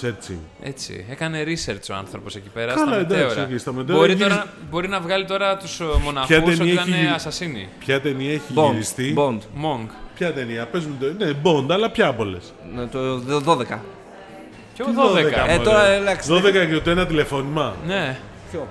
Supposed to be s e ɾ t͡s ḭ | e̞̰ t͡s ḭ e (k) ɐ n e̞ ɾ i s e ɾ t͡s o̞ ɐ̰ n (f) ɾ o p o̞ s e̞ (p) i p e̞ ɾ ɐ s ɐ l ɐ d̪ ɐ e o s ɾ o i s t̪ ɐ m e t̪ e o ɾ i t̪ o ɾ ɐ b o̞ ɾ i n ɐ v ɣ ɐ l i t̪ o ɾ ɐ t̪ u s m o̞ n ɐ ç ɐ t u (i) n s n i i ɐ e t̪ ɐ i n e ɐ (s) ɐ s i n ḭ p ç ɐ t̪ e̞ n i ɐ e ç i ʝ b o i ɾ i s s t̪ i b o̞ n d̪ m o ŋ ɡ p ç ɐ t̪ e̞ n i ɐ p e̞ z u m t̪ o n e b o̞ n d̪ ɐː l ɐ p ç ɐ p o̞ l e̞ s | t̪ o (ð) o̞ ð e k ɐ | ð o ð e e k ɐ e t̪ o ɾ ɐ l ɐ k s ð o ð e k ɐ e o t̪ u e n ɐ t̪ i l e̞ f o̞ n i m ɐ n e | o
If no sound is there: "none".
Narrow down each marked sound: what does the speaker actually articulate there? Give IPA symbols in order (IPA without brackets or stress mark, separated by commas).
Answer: k, θ, c, e, s, ð